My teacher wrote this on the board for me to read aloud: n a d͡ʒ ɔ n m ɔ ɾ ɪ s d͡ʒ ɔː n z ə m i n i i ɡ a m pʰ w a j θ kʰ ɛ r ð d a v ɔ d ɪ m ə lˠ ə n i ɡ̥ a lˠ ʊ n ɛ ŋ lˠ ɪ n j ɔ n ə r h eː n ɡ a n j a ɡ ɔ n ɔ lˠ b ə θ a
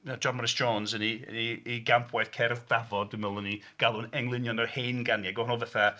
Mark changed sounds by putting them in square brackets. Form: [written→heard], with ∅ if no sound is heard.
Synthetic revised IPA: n a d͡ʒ ɔ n m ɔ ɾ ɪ s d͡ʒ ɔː n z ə [m→n] i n i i ɡ a m pʰ w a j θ kʰ ɛ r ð d a v ɔ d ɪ m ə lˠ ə n i ɡ̥ a lˠ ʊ n ɛ ŋ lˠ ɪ n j ɔ n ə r h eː n ɡ a n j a ɡ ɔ n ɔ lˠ [b→v] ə θ a